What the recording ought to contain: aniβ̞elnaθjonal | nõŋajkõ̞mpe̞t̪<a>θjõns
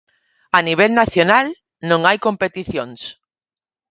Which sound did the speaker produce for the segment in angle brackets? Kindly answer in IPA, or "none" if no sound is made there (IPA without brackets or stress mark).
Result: i